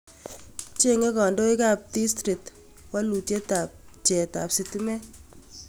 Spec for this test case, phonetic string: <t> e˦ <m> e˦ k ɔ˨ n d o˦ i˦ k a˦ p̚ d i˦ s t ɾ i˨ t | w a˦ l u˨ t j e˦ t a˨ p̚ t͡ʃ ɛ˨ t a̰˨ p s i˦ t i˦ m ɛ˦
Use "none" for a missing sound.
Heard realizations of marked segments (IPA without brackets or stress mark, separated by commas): t͡ʃ, ŋ